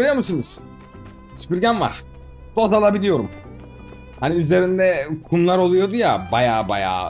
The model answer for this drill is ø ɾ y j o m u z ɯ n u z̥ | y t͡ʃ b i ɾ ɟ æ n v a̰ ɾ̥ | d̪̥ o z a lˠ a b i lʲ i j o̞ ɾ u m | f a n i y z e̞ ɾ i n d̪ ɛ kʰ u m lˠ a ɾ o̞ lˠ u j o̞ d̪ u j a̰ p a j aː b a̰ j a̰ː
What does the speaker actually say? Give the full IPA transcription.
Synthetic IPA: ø ɾ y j o m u s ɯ n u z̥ | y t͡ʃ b i ɾ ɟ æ n v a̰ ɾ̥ | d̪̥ o z a lˠ a b i lʲ i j o̞ ɾ u m | h a n i y z e̞ ɾ i n d̪ ɛ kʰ u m lˠ a ɾ o̞ lˠ u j o̞ d̪ u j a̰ b a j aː b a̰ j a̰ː